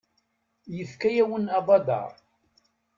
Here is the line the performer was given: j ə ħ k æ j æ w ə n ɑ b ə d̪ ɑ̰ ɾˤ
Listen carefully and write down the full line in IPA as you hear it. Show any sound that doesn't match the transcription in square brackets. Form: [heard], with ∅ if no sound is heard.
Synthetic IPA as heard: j ə [f] k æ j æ w ə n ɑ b [ɑ] d̪ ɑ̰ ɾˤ